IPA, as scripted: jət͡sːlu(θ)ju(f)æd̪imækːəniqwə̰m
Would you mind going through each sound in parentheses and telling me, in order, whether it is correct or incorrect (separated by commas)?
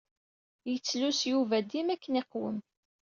incorrect, incorrect